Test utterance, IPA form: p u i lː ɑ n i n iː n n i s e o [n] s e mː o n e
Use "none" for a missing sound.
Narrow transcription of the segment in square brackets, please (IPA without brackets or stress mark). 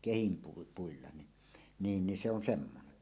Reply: n